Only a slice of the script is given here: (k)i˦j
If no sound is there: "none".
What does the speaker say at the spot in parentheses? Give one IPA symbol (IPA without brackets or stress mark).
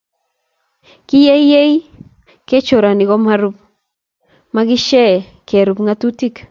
k